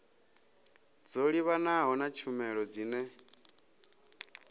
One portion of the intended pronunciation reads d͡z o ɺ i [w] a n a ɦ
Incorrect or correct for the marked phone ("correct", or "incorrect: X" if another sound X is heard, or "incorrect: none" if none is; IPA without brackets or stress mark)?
incorrect: β